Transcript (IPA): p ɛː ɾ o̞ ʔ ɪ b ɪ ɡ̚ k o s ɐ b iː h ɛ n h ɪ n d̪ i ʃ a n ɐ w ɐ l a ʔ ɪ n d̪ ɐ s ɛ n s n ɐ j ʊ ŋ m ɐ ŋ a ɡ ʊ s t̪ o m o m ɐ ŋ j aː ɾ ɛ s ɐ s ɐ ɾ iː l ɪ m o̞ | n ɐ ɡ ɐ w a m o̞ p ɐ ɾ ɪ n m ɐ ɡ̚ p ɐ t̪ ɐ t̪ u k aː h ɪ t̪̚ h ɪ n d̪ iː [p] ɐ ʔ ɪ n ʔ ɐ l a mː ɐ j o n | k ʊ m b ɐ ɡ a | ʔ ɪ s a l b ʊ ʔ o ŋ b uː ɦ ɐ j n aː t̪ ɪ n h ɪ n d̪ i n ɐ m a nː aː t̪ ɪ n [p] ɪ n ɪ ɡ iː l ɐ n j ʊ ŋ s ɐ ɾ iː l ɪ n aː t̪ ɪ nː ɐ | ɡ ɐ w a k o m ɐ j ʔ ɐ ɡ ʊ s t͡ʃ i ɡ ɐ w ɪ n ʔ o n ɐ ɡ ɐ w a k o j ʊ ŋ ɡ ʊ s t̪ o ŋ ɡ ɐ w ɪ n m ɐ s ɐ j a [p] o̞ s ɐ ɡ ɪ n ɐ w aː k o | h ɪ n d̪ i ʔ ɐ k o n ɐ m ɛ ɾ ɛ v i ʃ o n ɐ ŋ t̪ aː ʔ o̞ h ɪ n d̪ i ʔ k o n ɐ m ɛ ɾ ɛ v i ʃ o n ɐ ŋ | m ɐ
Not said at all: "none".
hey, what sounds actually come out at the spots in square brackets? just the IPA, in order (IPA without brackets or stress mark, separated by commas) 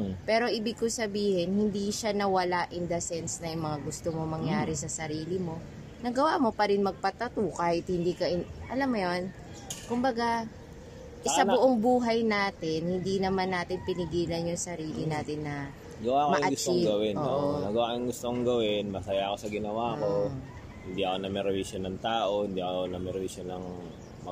k, p, k